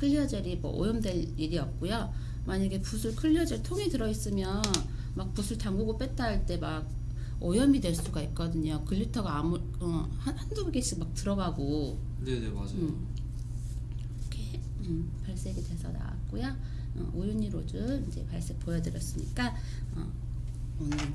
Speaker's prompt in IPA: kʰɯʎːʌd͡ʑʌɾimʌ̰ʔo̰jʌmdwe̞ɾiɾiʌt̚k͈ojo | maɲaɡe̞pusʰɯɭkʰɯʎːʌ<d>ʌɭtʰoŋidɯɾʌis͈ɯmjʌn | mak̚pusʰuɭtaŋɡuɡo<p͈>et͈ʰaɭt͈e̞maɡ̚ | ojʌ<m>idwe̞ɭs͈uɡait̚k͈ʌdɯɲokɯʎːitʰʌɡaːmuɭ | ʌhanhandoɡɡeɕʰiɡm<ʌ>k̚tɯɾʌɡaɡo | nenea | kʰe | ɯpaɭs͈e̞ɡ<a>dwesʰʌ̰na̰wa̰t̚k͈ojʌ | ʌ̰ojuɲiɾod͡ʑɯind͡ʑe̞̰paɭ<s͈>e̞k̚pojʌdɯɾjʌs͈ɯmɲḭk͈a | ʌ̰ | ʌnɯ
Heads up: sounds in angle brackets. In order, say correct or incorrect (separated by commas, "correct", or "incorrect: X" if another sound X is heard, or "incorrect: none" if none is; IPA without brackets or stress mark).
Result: incorrect: d͡ʑ, correct, correct, incorrect: a, incorrect: i, correct